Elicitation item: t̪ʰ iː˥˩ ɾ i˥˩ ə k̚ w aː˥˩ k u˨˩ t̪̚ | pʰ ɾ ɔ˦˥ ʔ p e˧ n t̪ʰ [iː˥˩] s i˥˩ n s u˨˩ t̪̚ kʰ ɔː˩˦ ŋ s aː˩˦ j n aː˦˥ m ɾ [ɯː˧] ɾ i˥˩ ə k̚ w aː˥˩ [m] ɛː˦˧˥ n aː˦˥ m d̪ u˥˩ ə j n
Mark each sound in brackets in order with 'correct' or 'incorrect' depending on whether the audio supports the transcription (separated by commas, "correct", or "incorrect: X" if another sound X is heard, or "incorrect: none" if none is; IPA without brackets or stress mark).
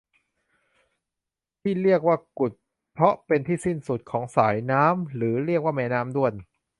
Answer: correct, incorrect: ɯː˩˦, correct